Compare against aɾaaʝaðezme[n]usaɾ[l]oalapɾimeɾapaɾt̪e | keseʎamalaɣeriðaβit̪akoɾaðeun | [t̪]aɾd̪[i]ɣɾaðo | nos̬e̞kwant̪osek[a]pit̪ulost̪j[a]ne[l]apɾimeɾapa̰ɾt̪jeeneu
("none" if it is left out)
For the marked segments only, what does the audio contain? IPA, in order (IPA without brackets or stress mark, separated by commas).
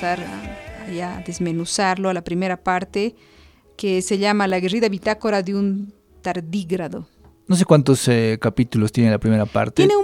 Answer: n, l, t̪, i, a, e, l